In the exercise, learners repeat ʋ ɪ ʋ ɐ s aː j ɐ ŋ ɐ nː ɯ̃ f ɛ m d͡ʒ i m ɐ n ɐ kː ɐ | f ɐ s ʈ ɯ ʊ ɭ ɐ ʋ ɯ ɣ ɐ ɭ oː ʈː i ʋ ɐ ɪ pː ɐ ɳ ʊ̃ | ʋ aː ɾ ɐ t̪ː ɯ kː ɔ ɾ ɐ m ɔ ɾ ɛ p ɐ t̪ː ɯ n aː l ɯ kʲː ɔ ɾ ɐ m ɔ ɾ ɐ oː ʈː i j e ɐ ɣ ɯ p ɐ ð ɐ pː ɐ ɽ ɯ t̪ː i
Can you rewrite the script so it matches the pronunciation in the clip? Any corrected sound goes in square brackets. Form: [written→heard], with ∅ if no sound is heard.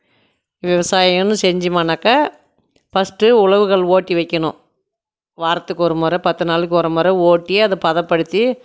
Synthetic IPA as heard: ʋ ɪ ʋ ɐ s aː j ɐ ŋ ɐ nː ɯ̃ [f→s] ɛ [m→ɲ] d͡ʒ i m ɐ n ɐ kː ɐ | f ɐ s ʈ ɯ ʊ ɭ ɐ ʋ ɯ ɣ ɐ ɭ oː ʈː i ʋ ɐ ɪ [pː→kː] ɐ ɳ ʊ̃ | ʋ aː ɾ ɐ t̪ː ɯ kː ɔ ɾ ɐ m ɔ ɾ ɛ p ɐ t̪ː ɯ n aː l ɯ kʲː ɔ ɾ ɐ m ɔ ɾ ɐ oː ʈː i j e ɐ [ɣ→ð] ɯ p ɐ ð ɐ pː ɐ ɽ ɯ t̪ː i